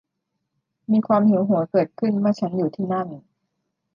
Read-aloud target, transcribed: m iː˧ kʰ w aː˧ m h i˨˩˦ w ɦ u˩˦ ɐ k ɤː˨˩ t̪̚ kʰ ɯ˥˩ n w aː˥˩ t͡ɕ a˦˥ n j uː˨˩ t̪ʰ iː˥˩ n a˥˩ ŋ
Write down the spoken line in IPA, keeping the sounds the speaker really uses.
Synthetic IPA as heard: m iː˧ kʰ w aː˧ m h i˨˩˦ w ɦ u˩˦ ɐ k ɤː˨˩ t̪̚ kʰ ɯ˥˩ n w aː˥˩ t͡ɕʰ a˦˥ n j uː˨˩ t̪ʰ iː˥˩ n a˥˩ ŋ

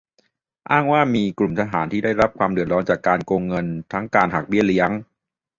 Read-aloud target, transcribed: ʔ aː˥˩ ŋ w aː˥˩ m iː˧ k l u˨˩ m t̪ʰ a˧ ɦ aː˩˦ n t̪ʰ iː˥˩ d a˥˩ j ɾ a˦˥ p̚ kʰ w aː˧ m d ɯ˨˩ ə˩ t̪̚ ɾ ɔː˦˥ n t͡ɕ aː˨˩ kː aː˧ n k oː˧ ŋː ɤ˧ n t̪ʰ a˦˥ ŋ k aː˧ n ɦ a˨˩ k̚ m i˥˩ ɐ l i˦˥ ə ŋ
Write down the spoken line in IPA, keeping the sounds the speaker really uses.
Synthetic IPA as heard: ʔ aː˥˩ ŋ w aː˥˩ m iː˧ k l u˨˩ m t̪ʰ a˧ ɦ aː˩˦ n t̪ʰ iː˥˩ d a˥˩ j ɾ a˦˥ p̚ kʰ w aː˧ m d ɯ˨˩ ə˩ t̪̚ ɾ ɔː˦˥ n t͡ɕ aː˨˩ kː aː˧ n k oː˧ ŋː ɤ˧ n t̪ʰ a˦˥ ŋ k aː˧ n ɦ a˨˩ k̚ b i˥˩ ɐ l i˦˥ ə ŋ

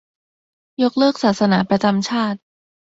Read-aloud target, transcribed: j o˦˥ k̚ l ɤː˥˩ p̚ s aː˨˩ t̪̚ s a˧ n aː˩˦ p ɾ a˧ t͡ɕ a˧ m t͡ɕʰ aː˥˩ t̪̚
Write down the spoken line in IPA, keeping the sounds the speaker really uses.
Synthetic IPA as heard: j o˦˥ k̚ l ɤː˥˩ k̚ s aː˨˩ t̪̚ s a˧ n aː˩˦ p ɾ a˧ t͡ɕ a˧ m t͡ɕʰ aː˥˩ t̪̚

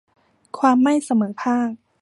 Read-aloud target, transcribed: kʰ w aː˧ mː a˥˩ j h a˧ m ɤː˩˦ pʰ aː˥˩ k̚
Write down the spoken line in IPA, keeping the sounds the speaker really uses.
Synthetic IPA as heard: kʰ w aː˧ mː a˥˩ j s a˧ m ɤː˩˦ pʰ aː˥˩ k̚

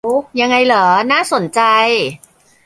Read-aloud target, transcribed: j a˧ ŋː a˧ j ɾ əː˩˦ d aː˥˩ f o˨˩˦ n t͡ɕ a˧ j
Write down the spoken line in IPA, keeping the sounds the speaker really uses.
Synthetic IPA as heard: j a˧ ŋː a˧ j l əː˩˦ n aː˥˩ s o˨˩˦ n t͡ɕ a˧ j

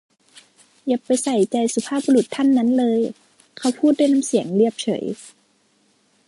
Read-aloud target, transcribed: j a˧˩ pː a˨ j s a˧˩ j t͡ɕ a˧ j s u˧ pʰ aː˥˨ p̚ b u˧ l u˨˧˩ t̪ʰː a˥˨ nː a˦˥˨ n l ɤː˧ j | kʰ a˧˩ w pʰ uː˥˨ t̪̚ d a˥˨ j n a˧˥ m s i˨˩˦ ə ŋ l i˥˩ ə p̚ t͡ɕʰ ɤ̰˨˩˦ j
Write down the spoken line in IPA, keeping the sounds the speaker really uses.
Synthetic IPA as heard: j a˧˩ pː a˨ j s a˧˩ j t͡ɕ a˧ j s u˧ pʰ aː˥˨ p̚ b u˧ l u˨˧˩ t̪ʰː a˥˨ nː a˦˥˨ n l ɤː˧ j | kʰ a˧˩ w pʰ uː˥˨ t̪̚ d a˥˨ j n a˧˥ m s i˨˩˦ ə ŋ l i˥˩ ə p̚ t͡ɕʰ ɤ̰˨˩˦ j

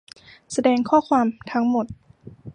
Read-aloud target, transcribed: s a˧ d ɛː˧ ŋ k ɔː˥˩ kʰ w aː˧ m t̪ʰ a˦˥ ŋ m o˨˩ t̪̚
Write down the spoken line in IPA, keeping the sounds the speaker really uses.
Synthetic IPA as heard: s a˧ d ɛː˧ ŋ kʰ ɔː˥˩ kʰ w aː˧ m t̪ʰ a˦˥ ŋ m o˨˩ t̪̚

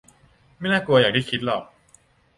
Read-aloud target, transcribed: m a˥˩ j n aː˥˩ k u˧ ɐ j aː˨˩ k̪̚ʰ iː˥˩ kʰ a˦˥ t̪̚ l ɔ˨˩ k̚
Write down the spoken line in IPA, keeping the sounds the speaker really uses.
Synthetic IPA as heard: m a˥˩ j n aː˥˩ k u˧ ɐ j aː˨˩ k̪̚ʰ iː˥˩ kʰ i˦˥ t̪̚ l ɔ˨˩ k̚

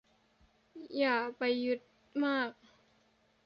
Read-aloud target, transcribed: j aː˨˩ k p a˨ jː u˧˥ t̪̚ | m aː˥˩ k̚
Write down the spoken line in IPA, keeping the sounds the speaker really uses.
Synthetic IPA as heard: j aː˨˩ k p a˨ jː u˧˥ t̪̚ | m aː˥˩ k̚

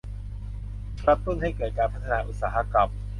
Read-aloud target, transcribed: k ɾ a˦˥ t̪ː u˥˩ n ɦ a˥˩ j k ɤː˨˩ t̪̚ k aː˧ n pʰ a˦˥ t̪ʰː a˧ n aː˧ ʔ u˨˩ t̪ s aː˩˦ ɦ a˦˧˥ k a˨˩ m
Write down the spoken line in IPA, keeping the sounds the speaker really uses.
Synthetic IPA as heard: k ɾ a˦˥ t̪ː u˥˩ n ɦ a˥˩ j k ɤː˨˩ t̪̚ k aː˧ n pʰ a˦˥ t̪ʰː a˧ n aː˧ ʔ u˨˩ t̪ s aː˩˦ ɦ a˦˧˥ k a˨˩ m

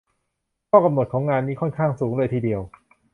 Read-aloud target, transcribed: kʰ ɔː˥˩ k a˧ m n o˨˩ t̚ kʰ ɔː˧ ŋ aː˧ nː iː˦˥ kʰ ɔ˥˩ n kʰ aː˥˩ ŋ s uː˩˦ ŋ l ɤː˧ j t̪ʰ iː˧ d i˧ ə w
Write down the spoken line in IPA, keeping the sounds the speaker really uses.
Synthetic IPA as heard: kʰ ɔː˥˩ k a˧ m n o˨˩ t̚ kʰ ɔː˩˦ ŋ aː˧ nː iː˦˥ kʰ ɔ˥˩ n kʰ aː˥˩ ŋ s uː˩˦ ŋ l ɤː˧ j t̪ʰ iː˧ d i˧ ə w

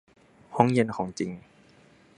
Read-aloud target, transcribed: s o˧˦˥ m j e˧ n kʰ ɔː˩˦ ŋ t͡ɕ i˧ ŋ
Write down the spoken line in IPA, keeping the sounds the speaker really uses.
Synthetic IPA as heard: h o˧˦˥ ŋ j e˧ n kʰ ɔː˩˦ ŋ t͡ɕ i˧ ŋ

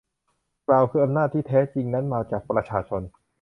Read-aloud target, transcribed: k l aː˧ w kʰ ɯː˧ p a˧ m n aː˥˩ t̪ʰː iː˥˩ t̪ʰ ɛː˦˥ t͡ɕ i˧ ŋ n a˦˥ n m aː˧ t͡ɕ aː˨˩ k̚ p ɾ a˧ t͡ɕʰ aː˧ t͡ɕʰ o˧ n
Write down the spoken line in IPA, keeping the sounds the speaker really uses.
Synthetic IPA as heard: k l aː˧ w kʰ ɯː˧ ʔ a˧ m n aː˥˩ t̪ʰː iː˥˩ t̪ʰ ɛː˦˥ t͡ɕ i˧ ŋ n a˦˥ n m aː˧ t͡ɕ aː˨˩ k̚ p ɾ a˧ t͡ɕʰ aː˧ t͡ɕʰ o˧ n

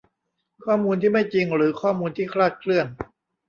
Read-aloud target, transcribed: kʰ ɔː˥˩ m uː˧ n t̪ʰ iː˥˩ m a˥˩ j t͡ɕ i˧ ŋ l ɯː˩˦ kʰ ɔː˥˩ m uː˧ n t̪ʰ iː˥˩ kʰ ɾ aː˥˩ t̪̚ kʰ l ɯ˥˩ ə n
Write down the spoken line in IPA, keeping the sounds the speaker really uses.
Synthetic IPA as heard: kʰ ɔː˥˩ m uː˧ n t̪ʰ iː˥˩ m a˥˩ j t͡ɕ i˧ ŋ ɾ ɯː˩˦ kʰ ɔː˥˩ m uː˧ n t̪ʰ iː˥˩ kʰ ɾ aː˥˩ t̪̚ kʰ l ɯ˥˩ ə n

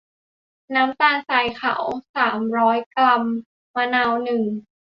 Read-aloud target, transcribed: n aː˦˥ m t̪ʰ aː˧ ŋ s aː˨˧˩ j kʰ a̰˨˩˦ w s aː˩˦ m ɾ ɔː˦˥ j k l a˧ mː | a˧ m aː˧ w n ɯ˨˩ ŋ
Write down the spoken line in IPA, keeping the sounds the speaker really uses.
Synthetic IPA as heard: n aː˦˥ m t̪ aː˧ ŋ s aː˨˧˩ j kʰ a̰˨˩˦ w s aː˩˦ m ɾ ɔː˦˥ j k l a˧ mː | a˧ n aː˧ w n ɯ˨˩ ŋ

